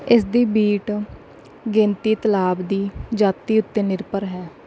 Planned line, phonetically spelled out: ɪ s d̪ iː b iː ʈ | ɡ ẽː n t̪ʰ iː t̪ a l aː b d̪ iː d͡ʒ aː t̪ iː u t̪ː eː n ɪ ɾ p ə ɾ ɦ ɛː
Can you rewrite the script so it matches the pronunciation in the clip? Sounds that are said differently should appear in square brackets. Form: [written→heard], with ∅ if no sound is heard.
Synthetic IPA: ɪ s d̪ iː b iː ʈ | ɡ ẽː n [t̪ʰ→t̪] iː t̪ [a→ə] l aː b d̪ iː d͡ʒ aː t̪ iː [u→ʊ] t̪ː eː n ɪ ɾ p ə ɾ ɦ ɛː